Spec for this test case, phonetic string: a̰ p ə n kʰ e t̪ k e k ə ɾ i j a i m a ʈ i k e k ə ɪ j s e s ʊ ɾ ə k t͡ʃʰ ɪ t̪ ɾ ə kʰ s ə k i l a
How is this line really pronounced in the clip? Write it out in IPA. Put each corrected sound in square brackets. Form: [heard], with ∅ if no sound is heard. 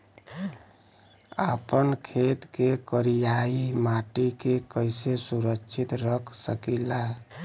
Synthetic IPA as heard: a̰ p ə n kʰ e t̪ k e k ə ɾ i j a i m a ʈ i k e k ə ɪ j s e s [u] ɾ ə k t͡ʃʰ [i] t̪ ɾ ə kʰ s ə k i l a